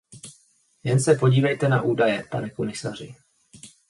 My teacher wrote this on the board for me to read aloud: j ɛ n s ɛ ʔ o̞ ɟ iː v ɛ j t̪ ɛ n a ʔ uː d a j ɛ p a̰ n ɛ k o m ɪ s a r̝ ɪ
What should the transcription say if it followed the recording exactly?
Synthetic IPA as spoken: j ɛ n s ɛ p o̞ ɟ iː v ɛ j t̪ ɛ n a ʔ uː d a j ɛ p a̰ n ɛ k o m ɪ s a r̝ ɪ